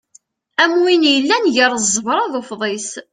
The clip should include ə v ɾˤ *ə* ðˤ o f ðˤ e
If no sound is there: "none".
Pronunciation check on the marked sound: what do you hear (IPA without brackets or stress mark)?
ɑ